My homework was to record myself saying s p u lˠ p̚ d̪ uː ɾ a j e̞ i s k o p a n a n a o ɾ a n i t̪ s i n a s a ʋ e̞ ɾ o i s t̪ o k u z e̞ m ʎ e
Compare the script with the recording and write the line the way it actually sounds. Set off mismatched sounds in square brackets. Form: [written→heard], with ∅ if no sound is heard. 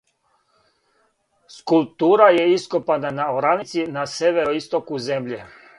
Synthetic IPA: s [p→k] u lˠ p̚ [d̪→t̪] uː ɾ a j e̞ i s k o p a n a n a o ɾ a n i t̪ s i n a s [a→e] ʋ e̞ ɾ o i s t̪ o k u z e̞ m ʎ e